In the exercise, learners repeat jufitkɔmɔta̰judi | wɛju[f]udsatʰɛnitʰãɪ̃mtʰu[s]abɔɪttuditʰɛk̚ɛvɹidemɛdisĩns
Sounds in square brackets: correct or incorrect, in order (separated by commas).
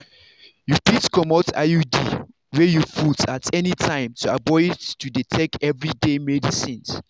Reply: correct, incorrect